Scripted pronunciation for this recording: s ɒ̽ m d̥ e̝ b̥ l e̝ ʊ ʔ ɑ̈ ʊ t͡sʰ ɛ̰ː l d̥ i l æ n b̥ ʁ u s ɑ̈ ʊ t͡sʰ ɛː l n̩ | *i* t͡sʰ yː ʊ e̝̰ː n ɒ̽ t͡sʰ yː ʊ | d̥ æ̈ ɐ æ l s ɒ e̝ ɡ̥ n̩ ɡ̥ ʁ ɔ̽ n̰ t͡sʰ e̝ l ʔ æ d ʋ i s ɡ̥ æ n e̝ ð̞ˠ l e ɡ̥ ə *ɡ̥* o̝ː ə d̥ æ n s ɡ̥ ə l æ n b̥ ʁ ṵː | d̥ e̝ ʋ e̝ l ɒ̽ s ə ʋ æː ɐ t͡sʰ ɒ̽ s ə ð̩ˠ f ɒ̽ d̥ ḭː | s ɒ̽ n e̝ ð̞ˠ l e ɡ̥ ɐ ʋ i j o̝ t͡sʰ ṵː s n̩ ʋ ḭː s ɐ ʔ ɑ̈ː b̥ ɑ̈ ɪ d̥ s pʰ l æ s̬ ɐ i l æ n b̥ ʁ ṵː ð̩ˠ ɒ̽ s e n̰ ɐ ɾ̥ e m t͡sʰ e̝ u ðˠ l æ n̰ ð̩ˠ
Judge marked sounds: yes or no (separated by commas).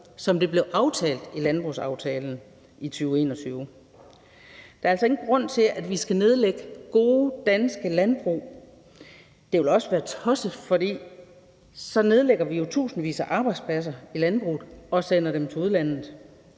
yes, yes